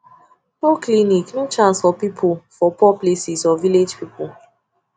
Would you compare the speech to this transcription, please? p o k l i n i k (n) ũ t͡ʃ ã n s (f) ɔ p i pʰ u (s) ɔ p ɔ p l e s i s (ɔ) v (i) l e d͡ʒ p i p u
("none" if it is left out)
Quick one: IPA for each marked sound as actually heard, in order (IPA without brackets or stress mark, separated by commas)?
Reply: n, f, f, ɔ, i